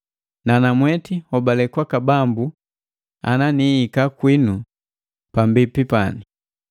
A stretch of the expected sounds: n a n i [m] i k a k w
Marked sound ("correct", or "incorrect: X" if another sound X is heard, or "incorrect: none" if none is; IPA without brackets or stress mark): incorrect: none